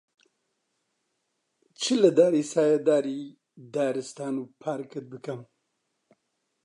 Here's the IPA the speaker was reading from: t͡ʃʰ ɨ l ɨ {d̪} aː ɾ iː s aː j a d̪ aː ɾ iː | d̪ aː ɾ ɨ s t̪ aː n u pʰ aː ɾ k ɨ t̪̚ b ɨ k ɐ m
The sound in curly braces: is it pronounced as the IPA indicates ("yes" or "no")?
yes